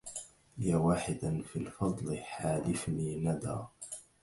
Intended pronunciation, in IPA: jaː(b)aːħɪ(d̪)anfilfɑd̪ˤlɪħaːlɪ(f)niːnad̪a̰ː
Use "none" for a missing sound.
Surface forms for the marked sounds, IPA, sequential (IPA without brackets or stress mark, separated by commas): w, d̪, f